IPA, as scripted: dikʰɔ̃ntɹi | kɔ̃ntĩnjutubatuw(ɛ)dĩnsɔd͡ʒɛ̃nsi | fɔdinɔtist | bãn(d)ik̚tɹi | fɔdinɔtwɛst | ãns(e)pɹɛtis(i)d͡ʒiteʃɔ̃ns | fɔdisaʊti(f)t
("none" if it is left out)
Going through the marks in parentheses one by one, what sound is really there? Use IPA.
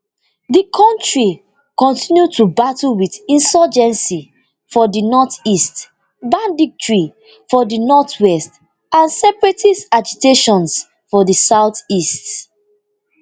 i, d, ɛ, a, s

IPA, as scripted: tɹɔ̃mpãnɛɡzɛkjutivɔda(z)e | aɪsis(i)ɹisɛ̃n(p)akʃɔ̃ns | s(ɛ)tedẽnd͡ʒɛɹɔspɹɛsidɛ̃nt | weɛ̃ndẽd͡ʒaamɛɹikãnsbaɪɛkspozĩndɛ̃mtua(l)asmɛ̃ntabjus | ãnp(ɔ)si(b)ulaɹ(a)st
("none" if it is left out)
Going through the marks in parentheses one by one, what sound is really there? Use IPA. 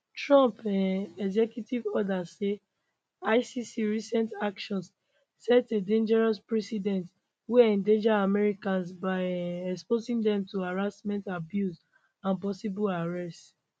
s, i, t, ɛ, ɹ, ɔ, b, ɛ

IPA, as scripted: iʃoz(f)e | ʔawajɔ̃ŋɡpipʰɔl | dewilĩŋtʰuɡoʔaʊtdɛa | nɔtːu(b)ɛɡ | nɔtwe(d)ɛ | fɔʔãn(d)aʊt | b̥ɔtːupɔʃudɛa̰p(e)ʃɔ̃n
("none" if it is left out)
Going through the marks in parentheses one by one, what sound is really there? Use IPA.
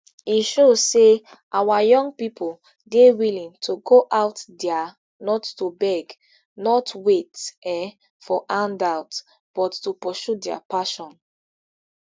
s, b, t, d, a

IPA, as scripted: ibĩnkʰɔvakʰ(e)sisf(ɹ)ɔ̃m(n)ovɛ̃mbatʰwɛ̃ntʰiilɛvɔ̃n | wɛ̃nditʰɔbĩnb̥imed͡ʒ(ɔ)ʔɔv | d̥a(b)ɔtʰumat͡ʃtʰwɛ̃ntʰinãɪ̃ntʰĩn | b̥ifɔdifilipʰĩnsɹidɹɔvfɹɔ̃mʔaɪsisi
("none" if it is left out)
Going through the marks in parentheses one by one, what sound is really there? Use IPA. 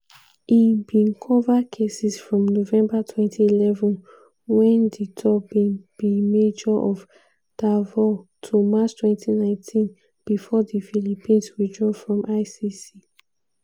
e, ɹ, n, ɔ, v

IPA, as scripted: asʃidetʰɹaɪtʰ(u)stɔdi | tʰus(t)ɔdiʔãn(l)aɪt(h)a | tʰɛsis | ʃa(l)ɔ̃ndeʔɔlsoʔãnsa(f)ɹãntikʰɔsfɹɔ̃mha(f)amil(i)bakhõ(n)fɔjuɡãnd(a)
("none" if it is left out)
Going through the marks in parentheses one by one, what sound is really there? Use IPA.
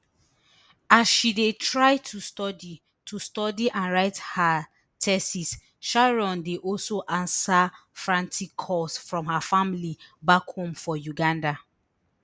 u, t, ɹ, h, ɹ, f, f, i, m, a

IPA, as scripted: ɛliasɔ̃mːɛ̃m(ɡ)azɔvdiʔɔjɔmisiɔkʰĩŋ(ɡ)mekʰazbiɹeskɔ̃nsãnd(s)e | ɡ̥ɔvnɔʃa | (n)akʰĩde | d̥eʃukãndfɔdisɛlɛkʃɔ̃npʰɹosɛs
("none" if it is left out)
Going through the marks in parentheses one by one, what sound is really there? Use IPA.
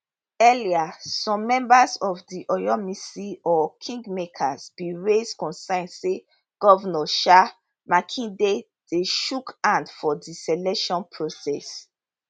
b, ɡ, s, m

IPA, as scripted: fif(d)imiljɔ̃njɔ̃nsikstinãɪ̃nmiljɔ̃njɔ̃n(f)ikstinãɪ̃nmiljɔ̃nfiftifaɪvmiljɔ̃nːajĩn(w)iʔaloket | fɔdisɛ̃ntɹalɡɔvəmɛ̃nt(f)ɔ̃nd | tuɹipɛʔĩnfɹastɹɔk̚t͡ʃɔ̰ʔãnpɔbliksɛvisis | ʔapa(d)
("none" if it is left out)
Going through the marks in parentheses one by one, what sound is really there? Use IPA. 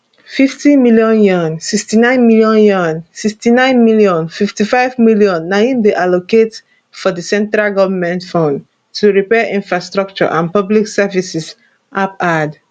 t, s, b, f, d

